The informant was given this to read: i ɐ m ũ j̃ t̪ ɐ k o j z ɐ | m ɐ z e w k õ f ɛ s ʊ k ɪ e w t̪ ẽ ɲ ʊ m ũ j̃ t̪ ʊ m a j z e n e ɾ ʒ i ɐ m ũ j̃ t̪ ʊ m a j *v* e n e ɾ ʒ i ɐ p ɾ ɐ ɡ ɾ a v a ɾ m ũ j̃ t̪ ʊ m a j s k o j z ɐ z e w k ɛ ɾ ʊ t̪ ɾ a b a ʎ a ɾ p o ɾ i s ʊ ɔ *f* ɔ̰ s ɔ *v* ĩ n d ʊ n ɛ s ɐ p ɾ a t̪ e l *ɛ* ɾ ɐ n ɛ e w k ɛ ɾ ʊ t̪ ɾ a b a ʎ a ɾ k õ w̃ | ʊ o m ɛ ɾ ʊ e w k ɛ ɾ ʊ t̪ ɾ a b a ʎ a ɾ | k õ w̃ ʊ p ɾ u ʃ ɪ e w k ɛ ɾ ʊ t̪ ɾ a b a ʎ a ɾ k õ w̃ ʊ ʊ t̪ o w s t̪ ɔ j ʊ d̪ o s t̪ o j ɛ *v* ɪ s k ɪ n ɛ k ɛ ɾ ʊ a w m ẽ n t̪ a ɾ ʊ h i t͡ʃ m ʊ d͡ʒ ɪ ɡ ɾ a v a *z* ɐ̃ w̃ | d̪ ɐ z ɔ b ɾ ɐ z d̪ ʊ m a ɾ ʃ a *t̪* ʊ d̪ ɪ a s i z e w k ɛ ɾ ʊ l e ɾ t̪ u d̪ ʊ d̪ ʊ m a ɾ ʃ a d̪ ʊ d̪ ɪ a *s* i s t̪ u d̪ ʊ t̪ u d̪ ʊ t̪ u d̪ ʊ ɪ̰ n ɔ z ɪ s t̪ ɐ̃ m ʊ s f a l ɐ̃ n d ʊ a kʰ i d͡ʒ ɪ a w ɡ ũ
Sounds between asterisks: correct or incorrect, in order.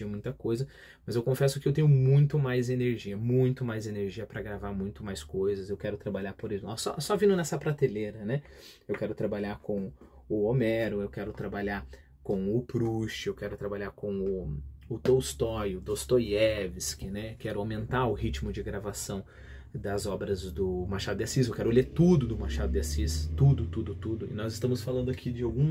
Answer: incorrect, incorrect, correct, incorrect, correct, incorrect, incorrect, correct

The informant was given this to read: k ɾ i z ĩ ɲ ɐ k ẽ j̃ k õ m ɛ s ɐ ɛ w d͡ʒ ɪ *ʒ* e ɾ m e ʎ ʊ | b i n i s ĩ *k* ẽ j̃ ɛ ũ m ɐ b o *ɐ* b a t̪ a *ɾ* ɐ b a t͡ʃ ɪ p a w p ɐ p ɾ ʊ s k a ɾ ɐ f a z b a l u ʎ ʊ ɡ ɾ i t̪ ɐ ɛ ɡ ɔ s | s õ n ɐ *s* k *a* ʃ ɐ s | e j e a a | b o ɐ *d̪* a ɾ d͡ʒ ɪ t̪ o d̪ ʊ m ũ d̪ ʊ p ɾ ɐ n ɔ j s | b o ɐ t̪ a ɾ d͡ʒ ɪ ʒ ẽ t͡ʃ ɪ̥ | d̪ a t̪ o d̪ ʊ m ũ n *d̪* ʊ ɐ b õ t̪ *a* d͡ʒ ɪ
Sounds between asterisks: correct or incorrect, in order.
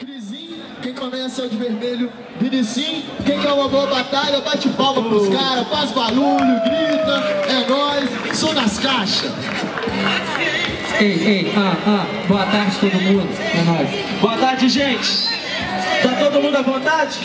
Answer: incorrect, correct, correct, incorrect, correct, correct, incorrect, correct, correct

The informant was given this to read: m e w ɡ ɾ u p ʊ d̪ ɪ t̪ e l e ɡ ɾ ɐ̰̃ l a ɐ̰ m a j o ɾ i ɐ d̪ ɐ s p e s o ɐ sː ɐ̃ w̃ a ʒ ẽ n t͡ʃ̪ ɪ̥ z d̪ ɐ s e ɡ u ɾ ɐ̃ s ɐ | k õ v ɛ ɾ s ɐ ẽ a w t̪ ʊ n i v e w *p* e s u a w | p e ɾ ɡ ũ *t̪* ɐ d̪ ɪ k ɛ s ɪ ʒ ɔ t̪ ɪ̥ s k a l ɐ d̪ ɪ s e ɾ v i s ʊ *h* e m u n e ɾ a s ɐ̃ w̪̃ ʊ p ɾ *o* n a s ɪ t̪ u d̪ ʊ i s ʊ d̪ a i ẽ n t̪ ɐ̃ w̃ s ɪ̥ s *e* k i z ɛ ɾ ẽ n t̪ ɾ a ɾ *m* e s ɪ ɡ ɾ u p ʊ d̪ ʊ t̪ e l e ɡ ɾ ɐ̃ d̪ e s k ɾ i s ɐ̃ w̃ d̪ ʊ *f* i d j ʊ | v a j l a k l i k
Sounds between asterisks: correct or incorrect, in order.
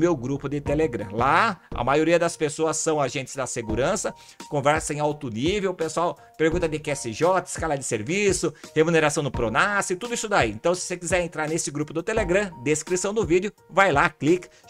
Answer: correct, correct, correct, correct, correct, incorrect, incorrect

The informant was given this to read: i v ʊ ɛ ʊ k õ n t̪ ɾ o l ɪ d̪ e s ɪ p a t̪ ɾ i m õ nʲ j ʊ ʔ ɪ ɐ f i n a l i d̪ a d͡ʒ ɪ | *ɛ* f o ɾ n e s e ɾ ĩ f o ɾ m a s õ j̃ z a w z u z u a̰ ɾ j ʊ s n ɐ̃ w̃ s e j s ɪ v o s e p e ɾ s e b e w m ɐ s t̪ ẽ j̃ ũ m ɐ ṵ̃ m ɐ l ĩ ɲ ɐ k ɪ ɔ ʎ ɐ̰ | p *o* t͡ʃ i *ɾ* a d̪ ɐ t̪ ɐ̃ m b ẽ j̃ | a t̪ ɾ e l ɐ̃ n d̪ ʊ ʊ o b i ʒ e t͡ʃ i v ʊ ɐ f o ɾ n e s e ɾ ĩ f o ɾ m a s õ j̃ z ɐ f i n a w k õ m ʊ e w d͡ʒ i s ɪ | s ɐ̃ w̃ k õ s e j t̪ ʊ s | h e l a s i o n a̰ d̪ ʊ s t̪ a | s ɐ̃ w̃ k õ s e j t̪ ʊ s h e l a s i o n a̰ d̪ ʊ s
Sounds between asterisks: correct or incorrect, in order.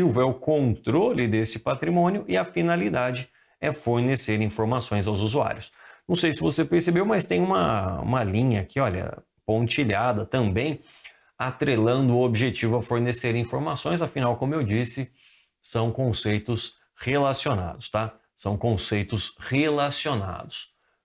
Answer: correct, incorrect, incorrect

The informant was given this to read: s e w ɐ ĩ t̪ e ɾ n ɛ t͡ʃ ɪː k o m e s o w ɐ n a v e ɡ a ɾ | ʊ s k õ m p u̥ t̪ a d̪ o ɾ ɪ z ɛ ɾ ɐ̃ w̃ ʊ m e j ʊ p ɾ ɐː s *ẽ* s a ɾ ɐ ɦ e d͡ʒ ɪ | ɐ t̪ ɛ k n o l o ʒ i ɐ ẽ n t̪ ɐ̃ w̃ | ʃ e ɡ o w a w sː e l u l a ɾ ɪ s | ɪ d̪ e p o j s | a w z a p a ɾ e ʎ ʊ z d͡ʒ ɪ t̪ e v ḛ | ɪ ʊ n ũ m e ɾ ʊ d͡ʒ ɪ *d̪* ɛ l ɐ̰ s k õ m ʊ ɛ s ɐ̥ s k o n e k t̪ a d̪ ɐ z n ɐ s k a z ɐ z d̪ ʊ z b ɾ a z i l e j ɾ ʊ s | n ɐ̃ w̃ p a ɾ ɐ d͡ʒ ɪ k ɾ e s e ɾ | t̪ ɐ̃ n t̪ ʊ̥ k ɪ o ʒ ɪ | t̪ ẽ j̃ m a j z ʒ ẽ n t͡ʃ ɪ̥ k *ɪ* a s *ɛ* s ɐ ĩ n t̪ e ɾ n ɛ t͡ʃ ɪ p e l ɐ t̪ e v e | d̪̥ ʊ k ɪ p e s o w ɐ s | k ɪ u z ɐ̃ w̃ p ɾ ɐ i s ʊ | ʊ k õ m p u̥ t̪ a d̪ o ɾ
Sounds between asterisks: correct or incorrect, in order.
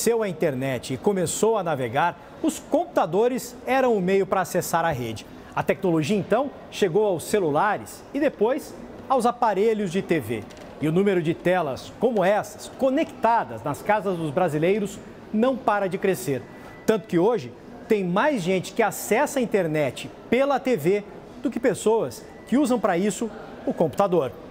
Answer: incorrect, incorrect, correct, correct

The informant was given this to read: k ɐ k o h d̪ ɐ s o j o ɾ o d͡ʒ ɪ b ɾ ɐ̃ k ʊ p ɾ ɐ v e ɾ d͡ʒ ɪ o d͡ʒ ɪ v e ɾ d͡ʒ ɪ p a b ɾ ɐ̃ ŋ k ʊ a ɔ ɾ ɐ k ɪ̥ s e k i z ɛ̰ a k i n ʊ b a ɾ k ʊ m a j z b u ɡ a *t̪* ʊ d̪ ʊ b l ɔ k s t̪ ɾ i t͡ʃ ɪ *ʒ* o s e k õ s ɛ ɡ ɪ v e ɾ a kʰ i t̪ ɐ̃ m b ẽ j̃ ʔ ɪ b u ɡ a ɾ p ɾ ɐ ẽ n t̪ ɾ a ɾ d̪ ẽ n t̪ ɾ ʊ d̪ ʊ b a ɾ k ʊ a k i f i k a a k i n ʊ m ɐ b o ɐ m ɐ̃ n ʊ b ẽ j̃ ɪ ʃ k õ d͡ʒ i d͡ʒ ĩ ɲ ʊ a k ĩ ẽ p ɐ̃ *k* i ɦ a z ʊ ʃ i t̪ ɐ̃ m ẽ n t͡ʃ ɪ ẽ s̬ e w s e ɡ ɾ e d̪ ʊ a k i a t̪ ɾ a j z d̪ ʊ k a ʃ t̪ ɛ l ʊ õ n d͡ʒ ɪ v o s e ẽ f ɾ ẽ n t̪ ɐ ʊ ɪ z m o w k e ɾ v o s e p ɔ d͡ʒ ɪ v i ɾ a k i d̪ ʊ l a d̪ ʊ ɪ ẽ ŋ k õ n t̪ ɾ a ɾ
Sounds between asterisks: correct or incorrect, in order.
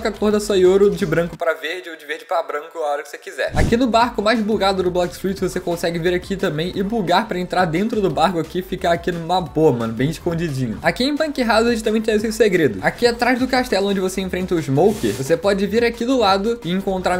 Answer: incorrect, incorrect, correct

